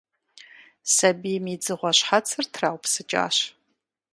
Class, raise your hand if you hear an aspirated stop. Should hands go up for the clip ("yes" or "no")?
yes